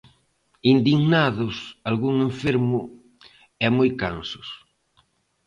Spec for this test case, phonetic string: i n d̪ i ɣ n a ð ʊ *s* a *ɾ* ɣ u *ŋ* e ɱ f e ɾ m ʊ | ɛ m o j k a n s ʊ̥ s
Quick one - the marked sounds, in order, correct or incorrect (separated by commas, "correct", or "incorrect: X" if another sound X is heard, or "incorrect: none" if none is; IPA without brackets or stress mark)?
correct, incorrect: l, correct